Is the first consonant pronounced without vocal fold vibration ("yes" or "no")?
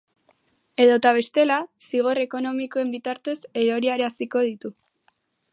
no